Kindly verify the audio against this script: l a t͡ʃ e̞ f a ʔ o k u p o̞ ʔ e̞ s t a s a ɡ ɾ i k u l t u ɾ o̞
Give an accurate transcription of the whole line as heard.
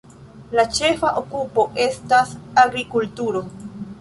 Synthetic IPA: l a t͡ʃ e̞ f a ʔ o k u p o̞ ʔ e̞ s t a s a ɡ ɾ i k u l t u ɾ o̞